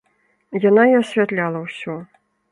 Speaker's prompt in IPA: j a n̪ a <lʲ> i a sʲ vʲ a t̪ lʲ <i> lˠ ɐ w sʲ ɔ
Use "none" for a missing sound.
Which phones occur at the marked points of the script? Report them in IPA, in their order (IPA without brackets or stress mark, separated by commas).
none, a